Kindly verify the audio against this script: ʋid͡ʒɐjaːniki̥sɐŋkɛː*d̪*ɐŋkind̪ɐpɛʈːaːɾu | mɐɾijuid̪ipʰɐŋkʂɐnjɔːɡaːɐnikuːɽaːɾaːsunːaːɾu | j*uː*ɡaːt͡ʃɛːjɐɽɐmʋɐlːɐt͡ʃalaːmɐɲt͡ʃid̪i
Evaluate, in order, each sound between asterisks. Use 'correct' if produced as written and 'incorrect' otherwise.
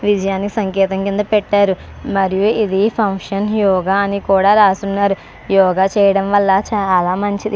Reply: incorrect: t̪, incorrect: ɔː

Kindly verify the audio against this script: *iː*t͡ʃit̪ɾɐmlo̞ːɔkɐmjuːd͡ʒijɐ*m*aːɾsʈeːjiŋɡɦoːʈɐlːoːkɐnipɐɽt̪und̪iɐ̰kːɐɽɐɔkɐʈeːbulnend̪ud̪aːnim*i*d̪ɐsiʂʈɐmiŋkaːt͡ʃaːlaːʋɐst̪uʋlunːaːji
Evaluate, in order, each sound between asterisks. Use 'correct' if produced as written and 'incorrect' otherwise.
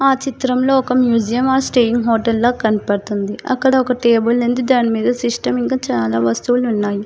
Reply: incorrect: aː, correct, incorrect: iː

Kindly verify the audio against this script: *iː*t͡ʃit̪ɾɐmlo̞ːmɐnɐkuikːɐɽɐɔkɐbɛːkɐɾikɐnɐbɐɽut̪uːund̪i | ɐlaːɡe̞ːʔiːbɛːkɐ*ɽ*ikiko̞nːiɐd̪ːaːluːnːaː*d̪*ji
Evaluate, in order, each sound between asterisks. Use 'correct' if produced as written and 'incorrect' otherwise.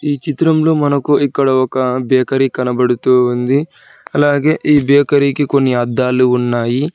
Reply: correct, incorrect: ɾ, incorrect: none

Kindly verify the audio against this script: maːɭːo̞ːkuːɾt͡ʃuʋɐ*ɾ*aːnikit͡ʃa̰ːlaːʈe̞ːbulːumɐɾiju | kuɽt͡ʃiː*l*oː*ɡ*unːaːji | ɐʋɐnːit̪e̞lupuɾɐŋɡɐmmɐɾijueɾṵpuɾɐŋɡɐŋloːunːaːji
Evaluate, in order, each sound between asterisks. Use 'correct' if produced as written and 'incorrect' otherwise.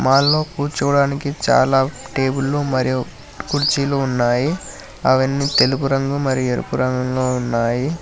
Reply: incorrect: ɽ, correct, incorrect: none

